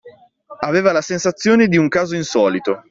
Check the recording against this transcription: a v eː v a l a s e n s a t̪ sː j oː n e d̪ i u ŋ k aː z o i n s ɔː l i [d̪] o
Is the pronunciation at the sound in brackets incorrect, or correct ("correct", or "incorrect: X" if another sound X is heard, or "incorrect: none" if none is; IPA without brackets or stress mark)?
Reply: incorrect: t̪